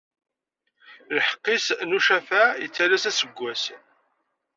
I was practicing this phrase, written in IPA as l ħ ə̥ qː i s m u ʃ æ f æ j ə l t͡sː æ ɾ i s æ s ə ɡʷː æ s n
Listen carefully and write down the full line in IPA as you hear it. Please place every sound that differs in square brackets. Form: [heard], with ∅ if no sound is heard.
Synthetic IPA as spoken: l ħ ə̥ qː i s [n] u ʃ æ f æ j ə [∅] t͡sː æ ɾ [æ] s æ s ə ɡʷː æ s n